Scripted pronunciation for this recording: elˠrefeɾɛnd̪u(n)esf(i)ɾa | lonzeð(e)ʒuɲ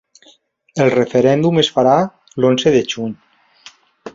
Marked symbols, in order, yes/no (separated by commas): no, no, yes